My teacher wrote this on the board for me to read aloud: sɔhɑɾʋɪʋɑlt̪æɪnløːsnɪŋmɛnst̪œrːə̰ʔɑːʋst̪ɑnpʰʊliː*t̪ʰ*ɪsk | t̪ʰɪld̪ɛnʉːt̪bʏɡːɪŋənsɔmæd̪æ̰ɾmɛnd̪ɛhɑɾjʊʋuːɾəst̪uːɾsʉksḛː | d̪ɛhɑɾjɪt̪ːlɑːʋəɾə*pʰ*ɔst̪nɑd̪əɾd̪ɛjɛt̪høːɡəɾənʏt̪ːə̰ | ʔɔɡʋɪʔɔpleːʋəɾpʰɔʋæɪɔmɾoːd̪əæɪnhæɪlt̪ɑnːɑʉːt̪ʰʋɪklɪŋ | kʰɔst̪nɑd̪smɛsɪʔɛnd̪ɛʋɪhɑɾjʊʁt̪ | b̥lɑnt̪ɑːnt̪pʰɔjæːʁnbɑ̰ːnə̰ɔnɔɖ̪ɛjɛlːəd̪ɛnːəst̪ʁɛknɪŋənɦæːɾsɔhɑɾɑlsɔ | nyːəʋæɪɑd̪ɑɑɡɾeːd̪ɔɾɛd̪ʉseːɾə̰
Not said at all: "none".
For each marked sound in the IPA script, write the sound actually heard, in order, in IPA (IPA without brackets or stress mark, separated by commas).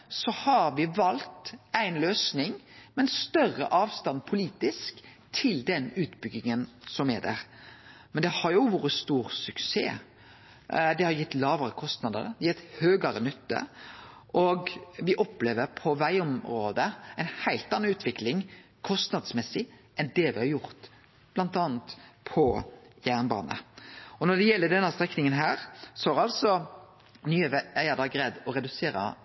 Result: t̪, kʰ